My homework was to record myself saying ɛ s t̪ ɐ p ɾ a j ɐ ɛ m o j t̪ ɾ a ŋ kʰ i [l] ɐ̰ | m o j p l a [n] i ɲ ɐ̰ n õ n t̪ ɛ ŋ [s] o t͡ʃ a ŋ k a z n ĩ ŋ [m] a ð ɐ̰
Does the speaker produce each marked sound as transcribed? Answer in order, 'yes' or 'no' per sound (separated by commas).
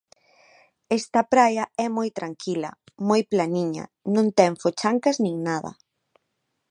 yes, yes, no, no